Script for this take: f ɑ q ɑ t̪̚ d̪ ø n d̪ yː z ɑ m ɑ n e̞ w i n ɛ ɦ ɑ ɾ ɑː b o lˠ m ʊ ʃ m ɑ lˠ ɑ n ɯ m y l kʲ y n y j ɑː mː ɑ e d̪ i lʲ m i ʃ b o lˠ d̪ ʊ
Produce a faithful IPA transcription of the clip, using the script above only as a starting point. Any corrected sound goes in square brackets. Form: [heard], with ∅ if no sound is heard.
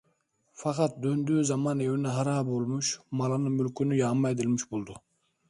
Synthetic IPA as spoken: f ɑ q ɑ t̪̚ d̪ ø n d̪ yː z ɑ m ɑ n e̞ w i n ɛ ɦ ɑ ɾ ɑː b o lˠ m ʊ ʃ m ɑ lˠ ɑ n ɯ m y l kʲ y n y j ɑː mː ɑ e d̪ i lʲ m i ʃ b o lˠ d̪ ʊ